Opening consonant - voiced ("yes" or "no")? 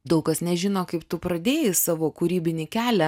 yes